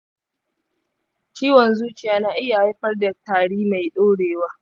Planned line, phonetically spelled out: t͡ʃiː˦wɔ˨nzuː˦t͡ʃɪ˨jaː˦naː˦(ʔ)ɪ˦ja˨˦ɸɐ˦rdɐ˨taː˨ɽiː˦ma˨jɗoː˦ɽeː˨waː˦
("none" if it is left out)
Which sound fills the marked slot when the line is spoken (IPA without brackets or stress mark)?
ʔ